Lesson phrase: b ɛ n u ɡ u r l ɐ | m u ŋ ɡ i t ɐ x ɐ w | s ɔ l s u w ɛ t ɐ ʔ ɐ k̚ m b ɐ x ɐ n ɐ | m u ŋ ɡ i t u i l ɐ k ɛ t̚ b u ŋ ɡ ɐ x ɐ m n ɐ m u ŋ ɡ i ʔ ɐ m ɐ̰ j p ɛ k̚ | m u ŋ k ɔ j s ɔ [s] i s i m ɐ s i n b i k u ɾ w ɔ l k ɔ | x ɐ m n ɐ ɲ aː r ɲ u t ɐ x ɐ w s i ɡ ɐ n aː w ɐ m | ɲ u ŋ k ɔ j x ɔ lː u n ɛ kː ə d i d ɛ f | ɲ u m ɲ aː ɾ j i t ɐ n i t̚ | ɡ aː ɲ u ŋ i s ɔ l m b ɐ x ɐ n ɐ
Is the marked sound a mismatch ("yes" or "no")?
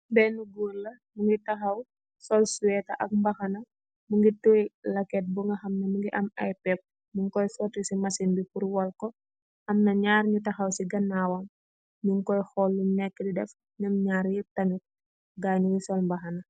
yes